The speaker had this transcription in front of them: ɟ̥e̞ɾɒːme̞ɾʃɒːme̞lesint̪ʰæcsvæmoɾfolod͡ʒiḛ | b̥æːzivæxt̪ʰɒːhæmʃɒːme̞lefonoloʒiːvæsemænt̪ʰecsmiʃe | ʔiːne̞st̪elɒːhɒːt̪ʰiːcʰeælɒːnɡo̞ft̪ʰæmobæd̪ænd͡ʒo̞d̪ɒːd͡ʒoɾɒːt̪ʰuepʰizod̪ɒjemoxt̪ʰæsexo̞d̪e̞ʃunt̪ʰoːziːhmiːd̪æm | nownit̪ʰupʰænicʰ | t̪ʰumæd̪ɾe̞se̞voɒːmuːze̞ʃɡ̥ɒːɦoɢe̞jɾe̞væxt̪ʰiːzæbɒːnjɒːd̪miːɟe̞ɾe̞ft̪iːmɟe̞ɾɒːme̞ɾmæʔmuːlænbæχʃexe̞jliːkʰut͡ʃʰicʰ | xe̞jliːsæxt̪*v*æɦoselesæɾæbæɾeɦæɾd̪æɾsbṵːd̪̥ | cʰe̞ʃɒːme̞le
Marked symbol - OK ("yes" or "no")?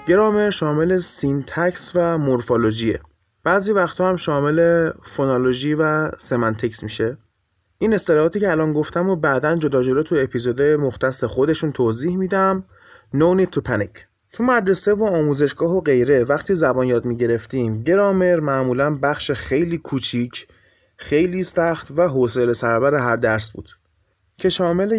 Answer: yes